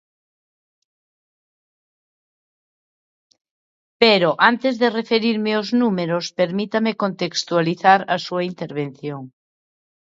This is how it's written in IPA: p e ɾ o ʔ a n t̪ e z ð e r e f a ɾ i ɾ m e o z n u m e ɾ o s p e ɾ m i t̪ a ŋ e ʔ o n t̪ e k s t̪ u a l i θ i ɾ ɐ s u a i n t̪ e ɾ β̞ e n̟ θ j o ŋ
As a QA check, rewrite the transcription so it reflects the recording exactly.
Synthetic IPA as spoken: p e ɾ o ʔ a n t̪ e z ð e r e f e ɾ i ɾ m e o z n u m e ɾ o s p e ɾ m i t̪ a m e k o n t̪ e k s t̪ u a l i θ a ɾ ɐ s u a i n t̪ e ɾ β̞ e n̟ θ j o ŋ